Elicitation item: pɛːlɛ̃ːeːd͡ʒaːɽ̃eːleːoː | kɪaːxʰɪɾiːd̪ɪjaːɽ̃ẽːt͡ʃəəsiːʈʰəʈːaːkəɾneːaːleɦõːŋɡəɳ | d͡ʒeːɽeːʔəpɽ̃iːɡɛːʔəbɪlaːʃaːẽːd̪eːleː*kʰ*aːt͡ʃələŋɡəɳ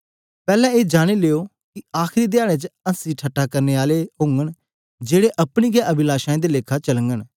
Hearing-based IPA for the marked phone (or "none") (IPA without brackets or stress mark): kʰ